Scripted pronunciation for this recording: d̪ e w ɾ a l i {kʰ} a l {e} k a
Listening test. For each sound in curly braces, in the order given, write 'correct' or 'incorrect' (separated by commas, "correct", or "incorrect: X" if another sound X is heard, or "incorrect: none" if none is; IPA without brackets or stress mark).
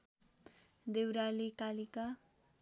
incorrect: k, incorrect: i